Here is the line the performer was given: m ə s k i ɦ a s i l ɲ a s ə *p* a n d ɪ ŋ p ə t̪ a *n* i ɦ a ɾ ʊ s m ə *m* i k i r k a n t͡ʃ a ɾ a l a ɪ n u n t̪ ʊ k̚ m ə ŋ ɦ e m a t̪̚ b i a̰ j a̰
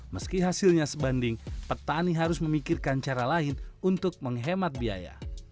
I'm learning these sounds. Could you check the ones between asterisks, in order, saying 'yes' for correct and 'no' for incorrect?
no, yes, yes

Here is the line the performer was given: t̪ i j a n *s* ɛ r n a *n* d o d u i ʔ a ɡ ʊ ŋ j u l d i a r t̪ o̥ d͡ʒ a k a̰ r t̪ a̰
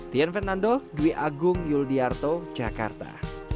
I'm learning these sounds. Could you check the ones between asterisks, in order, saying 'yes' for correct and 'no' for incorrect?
no, yes

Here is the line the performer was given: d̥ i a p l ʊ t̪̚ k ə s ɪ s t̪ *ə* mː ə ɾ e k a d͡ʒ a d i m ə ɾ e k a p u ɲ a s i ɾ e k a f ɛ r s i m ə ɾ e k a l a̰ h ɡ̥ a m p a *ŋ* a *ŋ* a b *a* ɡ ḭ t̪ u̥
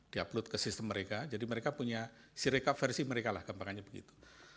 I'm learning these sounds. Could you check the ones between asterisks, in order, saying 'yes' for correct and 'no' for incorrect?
yes, yes, no, no

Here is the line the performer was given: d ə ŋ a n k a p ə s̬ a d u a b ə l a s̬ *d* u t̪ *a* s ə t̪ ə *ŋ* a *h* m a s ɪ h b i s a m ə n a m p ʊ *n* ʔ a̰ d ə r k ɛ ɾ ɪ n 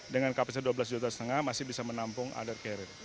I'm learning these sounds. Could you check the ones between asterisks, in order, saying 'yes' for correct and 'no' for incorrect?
no, yes, yes, yes, no

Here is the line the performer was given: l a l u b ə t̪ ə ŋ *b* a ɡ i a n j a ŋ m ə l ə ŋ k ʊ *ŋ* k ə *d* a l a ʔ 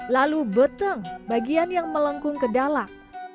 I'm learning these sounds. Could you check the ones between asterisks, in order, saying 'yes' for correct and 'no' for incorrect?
yes, yes, yes

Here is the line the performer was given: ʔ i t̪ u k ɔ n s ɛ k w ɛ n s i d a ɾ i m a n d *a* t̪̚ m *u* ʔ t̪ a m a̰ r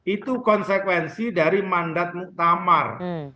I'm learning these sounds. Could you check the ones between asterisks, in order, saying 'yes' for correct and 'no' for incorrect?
yes, yes

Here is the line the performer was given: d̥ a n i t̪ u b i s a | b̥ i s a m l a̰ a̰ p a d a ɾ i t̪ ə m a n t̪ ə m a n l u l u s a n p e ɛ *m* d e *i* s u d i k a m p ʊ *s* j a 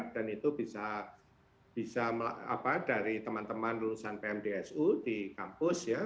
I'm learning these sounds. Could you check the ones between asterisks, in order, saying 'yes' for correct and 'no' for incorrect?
yes, no, yes

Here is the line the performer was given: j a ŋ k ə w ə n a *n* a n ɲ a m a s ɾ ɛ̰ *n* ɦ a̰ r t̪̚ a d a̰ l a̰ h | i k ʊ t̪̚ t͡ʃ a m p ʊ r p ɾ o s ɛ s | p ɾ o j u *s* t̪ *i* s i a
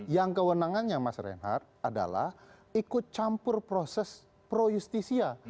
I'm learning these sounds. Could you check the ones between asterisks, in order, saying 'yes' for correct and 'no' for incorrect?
no, yes, yes, yes

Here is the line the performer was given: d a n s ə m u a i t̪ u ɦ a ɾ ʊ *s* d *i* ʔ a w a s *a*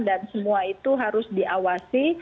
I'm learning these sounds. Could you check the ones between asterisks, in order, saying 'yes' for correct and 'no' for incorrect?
yes, yes, no

